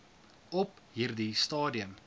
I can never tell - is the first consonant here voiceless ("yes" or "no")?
yes